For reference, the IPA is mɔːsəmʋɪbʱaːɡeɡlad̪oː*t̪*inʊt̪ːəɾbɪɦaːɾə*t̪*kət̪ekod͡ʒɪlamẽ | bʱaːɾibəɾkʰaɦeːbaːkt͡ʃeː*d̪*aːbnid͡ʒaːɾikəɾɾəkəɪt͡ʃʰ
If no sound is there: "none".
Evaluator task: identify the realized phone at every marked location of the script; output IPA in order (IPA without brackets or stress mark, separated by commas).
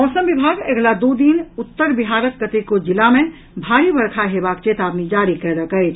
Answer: d̪, t̪, t̪